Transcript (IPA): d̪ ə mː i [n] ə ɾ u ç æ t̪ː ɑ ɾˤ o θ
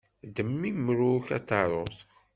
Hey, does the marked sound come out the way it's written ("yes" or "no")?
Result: no